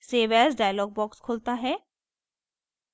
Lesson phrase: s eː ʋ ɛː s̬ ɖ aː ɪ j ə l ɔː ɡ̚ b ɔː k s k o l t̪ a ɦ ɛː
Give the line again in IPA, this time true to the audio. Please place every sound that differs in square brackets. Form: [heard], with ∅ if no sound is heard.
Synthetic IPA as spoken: s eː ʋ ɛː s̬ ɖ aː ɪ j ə l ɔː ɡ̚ b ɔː k s [kʰ] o l t̪ a ɦ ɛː